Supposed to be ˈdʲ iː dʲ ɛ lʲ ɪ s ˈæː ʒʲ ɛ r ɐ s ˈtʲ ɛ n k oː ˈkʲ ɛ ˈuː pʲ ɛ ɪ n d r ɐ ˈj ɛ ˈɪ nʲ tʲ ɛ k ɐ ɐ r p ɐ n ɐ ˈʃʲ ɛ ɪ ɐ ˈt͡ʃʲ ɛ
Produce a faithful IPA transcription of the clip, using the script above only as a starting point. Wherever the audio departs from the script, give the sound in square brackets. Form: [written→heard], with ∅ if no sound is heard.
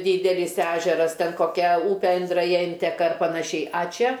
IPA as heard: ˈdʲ iː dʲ ɛ lʲ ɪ s ˈæː ʒʲ ɛ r ɐ s ˈtʲ ɛ n k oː ˈkʲ ɛ ˈuː pʲ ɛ ɪ n d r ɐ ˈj ɛ ˈɪ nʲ tʲ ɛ k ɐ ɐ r p ɐ n ɐ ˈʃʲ ɛ ɪ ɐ ˈt͡ʃʲ ɛ

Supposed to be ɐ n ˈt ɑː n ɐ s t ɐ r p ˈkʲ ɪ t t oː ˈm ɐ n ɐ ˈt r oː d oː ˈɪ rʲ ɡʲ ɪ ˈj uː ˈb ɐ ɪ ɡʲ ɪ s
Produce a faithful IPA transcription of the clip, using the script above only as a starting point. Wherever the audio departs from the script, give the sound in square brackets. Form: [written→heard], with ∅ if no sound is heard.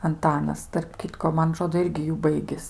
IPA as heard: ɐ n ˈt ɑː n ɐ s t ɐ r p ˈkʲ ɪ t [t→k] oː ˈm ɐ n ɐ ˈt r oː d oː ˈɪ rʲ ɡʲ ɪ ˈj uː ˈb ɐ ɪ ɡʲ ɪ s

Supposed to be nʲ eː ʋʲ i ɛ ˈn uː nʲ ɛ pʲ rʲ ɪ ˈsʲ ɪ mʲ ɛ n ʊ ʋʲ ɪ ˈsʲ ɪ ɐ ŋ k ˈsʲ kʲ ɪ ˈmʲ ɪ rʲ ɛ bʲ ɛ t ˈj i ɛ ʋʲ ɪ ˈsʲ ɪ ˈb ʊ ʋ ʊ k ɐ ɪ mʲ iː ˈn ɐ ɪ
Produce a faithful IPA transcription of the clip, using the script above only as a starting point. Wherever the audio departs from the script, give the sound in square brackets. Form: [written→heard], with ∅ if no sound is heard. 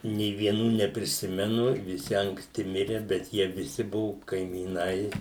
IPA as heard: nʲ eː ʋʲ i ɛ ˈn uː nʲ ɛ pʲ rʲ ɪ ˈsʲ ɪ mʲ ɛ n ʊ ʋʲ ɪ ˈsʲ ɪ ɐ ŋ k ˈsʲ [kʲ→tʲ] ɪ ˈmʲ ɪ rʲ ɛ bʲ ɛ t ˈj i ɛ ʋʲ ɪ ˈsʲ ɪ ˈb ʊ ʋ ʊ k ɐ ɪ mʲ iː ˈn ɐ ɪ

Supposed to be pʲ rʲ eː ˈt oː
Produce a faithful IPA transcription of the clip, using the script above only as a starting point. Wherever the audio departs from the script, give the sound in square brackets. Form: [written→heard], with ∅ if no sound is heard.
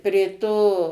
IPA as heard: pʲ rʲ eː ˈt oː

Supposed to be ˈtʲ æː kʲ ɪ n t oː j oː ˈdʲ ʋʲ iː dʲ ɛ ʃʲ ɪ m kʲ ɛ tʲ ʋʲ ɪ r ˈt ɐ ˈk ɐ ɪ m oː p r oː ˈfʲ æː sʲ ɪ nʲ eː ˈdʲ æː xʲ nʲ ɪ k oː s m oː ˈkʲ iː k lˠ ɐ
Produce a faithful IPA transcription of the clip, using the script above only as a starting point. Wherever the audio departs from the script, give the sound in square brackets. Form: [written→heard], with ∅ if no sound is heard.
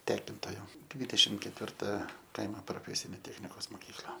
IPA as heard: ˈtʲ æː kʲ ɪ n t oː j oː ˈdʲ ʋʲ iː dʲ ɛ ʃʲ ɪ m kʲ ɛ tʲ ʋʲ ɪ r ˈt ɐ ˈk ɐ ɪ m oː p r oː ˈfʲ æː sʲ ɪ nʲ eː [ˈdʲ→ˈtʲ] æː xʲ nʲ ɪ k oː s m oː ˈkʲ iː k lˠ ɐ

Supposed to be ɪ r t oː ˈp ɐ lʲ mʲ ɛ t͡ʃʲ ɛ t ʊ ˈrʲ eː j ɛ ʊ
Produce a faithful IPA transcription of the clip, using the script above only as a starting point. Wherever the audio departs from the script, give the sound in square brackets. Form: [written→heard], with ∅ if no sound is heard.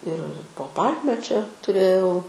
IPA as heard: ɪ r [t→p] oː ˈp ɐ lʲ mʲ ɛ t͡ʃʲ ɛ t ʊ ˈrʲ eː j ɛ ʊ

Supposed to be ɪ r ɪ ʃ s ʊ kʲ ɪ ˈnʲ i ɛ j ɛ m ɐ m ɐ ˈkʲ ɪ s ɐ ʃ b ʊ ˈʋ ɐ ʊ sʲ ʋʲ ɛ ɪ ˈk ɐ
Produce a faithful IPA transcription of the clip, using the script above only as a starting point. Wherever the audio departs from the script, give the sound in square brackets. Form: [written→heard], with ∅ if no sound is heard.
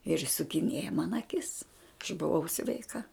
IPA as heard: ɪ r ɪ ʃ s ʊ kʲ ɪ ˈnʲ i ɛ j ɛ m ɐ [m→n] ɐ ˈkʲ ɪ s ɐ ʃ b ʊ ˈʋ ɐ ʊ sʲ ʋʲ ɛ ɪ ˈk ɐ

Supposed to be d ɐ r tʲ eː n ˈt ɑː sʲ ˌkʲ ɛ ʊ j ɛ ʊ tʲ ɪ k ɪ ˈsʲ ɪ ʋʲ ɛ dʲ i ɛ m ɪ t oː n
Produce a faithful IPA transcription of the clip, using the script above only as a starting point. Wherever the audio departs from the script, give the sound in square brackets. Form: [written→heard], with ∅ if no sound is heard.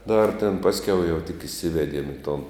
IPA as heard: d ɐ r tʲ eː n [ˈt→ˈp] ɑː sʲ ˌkʲ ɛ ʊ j ɛ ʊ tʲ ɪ k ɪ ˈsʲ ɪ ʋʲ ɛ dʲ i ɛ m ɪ t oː n

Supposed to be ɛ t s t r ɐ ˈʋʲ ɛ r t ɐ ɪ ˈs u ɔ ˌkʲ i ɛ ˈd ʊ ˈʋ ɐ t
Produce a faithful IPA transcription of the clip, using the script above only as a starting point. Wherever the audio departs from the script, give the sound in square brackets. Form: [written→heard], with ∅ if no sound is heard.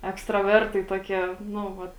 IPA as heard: ɛ [t→k] s t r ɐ ˈʋʲ ɛ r t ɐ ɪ [ˈs→ˈt] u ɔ ˌkʲ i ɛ [ˈd→ˈn] ʊ ˈʋ ɐ t

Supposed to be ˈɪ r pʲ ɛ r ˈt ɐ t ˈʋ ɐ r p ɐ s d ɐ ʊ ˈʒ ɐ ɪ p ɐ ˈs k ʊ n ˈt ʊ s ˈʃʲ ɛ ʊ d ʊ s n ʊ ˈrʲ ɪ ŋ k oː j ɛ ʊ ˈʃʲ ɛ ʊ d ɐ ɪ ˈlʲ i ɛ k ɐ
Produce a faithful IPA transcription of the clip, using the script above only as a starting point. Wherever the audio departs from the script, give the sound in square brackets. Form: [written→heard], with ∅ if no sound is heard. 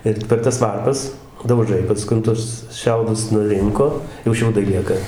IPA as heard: ˈɪ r pʲ ɛ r ˈt ɐ [t→s] ˈʋ ɐ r p ɐ s d ɐ ʊ ˈʒ ɐ ɪ p ɐ ˈs k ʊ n ˈt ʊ s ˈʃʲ ɛ ʊ d ʊ s n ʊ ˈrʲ ɪ ŋ k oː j ɛ ʊ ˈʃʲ ɛ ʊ d ɐ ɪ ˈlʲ i ɛ k ɐ

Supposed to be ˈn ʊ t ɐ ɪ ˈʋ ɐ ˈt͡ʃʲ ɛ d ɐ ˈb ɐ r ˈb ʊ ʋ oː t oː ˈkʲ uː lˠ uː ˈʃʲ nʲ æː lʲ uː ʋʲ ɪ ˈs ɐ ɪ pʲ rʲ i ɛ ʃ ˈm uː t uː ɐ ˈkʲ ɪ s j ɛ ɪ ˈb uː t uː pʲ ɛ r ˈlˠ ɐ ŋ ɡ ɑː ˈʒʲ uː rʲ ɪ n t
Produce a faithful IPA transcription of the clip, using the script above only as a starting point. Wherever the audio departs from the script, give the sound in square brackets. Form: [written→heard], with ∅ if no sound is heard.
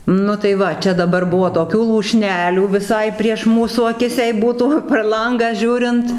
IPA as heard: ˈn ʊ t ɐ ɪ ˈʋ ɐ ˈt͡ʃʲ ɛ d ɐ ˈb ɐ r ˈb ʊ ʋ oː t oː ˈkʲ uː lˠ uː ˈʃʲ nʲ æː lʲ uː ʋʲ ɪ ˈs ɐ ɪ pʲ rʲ i ɛ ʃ ˈm uː [t→s] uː ɐ ˈkʲ ɪ s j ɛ ɪ ˈb uː t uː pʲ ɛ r ˈlˠ ɐ ŋ ɡ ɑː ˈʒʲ uː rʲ ɪ n t

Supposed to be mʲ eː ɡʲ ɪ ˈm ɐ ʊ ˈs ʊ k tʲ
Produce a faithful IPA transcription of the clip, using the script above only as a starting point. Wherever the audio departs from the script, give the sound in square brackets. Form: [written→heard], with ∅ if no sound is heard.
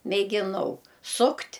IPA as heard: mʲ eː ɡʲ ɪ [ˈm→ˈn] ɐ ʊ ˈs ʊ k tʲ

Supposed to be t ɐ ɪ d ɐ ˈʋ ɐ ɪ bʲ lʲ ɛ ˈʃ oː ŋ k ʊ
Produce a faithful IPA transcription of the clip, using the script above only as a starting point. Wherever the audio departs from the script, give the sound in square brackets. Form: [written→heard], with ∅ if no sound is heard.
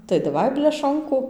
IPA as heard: t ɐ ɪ d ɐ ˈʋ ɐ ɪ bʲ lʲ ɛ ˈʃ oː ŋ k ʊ

